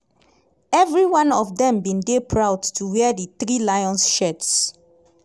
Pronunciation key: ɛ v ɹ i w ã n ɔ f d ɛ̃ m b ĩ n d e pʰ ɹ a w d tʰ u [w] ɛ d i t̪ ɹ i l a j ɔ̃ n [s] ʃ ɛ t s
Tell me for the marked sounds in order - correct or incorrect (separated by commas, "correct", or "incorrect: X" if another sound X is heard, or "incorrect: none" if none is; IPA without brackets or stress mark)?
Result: correct, correct